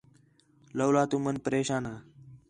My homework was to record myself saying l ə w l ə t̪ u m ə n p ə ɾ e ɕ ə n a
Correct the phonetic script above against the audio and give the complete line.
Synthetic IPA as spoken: l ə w l a t̪ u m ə n p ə ɾ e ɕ a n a